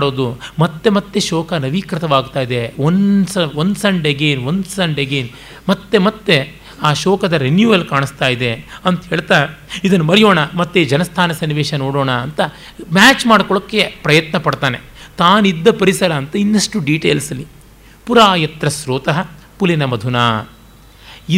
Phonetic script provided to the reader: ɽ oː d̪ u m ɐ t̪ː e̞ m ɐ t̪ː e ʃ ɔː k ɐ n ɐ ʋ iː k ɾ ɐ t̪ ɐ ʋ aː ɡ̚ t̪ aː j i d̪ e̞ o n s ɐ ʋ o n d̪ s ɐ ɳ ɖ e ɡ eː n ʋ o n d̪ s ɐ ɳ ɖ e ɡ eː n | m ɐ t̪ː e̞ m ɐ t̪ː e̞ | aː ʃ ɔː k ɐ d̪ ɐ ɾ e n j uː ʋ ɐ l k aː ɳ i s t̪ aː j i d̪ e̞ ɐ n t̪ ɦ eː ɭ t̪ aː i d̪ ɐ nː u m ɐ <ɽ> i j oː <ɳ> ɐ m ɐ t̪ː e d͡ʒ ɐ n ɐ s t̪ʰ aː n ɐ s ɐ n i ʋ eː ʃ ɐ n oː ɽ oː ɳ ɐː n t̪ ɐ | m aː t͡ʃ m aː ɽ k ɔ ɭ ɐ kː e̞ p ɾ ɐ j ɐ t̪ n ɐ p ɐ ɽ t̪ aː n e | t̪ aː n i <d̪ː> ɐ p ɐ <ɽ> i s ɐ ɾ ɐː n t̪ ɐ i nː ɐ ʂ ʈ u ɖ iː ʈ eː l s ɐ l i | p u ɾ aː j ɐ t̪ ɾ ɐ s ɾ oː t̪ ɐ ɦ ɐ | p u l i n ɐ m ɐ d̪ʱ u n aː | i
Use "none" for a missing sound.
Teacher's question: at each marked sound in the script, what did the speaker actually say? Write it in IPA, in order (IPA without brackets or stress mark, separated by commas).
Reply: ɾ, ɳ, d̪ː, ɾ